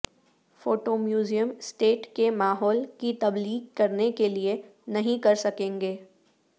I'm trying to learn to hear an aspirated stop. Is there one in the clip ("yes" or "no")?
no